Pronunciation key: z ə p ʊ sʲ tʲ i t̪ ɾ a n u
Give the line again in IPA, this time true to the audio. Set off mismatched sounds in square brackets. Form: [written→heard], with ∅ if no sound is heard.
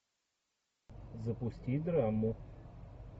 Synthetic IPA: z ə p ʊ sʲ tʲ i [t̪→d̪] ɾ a [n→m] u